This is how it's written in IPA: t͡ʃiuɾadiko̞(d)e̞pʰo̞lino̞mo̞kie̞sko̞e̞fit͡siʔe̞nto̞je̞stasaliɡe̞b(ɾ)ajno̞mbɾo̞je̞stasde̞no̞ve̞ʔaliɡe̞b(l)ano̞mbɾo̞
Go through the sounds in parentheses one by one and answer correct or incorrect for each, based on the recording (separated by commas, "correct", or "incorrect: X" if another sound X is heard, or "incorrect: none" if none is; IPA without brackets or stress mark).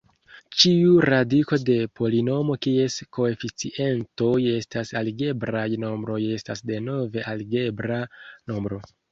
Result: correct, correct, incorrect: ɾ